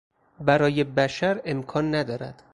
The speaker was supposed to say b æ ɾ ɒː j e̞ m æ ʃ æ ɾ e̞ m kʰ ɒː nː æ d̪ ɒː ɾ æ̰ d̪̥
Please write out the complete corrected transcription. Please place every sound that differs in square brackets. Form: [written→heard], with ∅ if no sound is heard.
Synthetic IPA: b æ ɾ ɒː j e̞ [m→b] æ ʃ æ ɾ e̞ m kʰ ɒː nː æ d̪ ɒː ɾ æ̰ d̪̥